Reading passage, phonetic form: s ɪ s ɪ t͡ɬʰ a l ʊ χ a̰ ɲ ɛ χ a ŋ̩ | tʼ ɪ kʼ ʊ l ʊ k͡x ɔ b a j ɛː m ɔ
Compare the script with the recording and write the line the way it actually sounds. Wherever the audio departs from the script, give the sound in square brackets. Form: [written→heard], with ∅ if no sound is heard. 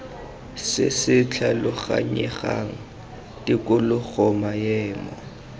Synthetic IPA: s ɪ s ɪ t͡ɬʰ a l ʊ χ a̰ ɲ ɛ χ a ŋ̩ | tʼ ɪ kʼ ʊ l ʊ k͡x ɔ [b→m] a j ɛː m ɔ